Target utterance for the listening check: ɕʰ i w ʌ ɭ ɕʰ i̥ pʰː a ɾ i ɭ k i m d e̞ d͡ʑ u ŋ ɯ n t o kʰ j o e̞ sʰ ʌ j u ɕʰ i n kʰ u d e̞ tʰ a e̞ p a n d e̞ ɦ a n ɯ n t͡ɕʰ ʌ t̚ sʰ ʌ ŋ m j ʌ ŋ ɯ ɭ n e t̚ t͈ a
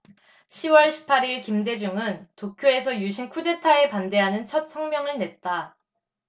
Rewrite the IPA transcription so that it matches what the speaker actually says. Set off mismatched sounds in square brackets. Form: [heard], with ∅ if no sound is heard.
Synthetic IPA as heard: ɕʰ i w ʌ ɭ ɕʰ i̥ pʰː a ɾ i ɭ k i m d e̞ d͡ʑ u ŋ ɯ n t o kʰ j o e̞ sʰ ʌ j u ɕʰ i n kʰ u d e̞ tʰ a e̞ p a n d e̞ ɦ a n ɯ n t͡ɕʰ ʌ t̚ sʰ ʌ ŋ m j ʌ ŋ ɯ ɭ n e t̚ t͈ a